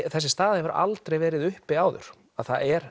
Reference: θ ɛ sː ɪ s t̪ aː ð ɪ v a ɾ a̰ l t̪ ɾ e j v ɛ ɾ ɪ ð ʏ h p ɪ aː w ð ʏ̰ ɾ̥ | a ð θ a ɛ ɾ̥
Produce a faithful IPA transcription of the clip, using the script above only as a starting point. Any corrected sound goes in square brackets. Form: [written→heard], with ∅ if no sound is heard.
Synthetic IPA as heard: θ ɛ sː ɪ s t̪ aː ð ɪ v a ɾ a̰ l t̪ ɾ e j v [ɛ→ɛː] ɾ ɪ ð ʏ h p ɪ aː w ð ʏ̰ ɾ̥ | a ð θ a ɛ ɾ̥